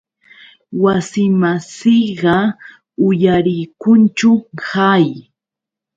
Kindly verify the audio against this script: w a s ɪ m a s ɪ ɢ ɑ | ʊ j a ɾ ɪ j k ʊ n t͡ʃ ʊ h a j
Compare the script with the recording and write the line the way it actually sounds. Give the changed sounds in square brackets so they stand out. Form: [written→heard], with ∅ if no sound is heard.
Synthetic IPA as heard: w a s ɪ m a s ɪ ɢ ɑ | ʊ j a ɾ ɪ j k ʊ n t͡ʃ ʊ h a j